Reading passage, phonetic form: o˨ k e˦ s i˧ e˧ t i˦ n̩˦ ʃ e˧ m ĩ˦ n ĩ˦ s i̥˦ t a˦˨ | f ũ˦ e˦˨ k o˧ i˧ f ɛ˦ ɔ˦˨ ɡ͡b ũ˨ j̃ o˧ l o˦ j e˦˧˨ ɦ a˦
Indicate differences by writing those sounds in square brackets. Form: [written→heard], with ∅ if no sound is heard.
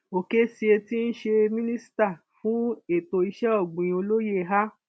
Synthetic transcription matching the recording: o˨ k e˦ s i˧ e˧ t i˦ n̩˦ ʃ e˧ m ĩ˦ n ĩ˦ s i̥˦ t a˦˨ | f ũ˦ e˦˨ [k→t] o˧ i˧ [f→ʃ] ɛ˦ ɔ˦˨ ɡ͡b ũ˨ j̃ o˧ l o˦ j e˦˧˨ ɦ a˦

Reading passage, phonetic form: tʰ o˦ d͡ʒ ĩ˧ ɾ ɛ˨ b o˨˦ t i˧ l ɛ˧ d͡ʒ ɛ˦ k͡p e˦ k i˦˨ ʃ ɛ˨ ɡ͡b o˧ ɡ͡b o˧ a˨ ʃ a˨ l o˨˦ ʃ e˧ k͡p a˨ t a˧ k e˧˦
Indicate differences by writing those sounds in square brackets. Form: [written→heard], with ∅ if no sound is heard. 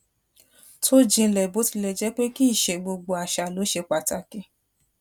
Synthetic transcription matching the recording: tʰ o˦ d͡ʒ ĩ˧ [ɾ→l] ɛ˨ b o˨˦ t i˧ l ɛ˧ d͡ʒ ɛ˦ k͡p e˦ k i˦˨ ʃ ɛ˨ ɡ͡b o˧ ɡ͡b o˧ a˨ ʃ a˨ l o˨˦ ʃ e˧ k͡p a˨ t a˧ k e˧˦

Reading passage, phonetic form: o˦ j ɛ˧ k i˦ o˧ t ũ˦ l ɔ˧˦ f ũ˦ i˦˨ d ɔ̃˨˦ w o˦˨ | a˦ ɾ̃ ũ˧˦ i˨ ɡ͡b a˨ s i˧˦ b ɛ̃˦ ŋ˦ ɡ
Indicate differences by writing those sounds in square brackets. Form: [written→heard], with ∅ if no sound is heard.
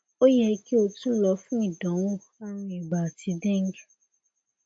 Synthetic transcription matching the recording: o˦ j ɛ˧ k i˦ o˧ t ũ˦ l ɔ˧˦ f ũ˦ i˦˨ d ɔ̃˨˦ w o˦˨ | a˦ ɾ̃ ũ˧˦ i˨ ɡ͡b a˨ [s→t] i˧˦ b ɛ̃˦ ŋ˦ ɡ

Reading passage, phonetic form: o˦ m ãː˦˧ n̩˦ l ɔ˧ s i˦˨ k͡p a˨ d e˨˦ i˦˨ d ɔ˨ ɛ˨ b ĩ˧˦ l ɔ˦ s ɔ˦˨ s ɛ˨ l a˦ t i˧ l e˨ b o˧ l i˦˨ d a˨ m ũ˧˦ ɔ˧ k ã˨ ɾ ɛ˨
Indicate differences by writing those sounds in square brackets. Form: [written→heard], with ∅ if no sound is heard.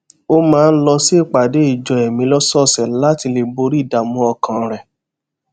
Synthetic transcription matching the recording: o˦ m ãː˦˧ n̩˦ l ɔ˧ s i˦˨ k͡p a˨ d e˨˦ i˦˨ [d→d͡ʒ] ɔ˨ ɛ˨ [b→m] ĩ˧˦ l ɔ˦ s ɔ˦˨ s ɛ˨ l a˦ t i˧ l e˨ b o˧ [l→ɾ] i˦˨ d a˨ m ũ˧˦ ɔ˧ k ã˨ ɾ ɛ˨

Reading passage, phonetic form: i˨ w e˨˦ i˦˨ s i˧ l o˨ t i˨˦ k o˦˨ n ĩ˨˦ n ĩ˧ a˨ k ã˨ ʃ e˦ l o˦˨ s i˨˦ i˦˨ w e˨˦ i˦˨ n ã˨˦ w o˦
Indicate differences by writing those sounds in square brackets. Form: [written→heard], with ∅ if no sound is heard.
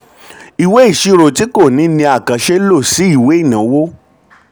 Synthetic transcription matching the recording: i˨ w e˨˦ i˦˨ [s→ʃ] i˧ [l→ɾ] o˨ t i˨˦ k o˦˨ n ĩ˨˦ n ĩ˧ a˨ k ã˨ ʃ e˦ l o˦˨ s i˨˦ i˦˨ w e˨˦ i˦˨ n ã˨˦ w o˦

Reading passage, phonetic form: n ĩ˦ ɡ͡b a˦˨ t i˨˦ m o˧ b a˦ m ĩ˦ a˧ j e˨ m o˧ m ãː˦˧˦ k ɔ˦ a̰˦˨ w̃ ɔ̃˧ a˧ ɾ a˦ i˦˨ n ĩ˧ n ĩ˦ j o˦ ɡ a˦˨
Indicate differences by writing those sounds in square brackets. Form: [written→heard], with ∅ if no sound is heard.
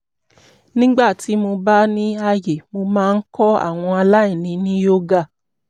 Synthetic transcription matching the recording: n ĩ˦ ɡ͡b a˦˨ t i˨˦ m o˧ b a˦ [m→n] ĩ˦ a˧ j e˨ m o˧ m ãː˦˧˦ k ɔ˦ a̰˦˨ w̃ ɔ̃˧ a˧ [ɾ→l] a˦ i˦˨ n ĩ˧ n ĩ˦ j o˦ ɡ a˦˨

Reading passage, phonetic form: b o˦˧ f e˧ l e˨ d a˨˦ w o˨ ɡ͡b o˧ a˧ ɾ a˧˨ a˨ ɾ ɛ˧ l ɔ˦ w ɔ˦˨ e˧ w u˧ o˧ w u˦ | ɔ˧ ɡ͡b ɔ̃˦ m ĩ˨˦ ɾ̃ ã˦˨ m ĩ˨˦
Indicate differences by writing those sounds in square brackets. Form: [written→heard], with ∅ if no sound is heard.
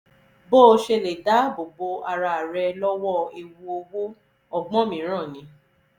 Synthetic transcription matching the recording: b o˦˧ [f→ʃ] e˧ l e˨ d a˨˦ [w→b] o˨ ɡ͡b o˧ a˧ ɾ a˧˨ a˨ ɾ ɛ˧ l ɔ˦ w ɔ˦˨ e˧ w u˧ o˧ w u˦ | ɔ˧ ɡ͡b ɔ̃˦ m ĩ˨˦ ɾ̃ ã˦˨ [m→n] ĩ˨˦

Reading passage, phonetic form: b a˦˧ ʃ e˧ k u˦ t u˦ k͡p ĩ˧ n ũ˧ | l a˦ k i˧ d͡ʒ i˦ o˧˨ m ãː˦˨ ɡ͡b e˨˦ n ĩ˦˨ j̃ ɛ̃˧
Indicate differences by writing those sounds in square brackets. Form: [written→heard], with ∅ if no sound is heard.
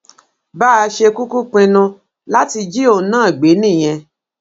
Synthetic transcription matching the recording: b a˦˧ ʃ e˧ k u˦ [t→k] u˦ k͡p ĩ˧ n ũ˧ | l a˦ [k→t] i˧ d͡ʒ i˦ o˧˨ [m→n] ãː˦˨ ɡ͡b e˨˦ n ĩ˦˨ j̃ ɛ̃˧

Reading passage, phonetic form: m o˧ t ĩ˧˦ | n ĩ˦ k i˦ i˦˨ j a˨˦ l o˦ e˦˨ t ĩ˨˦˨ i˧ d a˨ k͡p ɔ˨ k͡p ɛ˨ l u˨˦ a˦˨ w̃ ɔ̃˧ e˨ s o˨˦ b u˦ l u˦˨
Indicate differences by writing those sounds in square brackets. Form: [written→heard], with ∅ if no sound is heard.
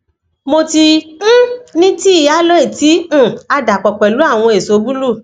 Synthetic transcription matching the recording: m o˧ t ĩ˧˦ | n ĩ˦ [k→t] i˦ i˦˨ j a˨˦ l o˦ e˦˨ t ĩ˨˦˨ [i˧→a˧] d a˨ k͡p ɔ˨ k͡p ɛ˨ l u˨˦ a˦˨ w̃ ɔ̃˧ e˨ s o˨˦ b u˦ l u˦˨

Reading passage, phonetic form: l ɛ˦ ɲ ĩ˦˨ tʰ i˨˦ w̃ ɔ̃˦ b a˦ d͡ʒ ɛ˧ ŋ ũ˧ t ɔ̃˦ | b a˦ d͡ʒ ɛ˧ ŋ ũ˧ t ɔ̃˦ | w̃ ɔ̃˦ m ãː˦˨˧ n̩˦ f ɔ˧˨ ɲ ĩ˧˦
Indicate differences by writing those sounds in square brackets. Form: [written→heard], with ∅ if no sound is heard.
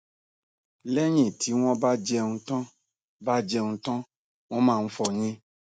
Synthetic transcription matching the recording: l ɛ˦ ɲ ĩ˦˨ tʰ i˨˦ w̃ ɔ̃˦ b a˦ d͡ʒ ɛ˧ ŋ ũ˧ t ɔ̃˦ | b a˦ d͡ʒ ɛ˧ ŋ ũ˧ t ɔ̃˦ | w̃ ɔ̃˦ m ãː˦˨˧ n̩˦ f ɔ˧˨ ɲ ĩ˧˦

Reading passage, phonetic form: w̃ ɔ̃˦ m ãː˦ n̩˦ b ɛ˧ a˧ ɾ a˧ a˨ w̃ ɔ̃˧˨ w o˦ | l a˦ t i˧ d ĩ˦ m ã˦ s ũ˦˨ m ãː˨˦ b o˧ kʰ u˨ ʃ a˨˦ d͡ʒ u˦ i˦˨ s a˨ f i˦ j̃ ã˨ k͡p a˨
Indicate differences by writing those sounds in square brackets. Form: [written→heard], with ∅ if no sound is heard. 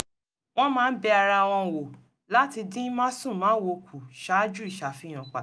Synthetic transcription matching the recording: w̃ ɔ̃˦ m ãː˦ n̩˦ b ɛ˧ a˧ ɾ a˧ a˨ w̃ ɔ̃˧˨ w [o˦→o˨] | l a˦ t i˧ d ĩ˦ m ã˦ s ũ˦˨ m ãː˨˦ [b→w] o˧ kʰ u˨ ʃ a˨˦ d͡ʒ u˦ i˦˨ [s→ʃ] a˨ f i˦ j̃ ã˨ k͡p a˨

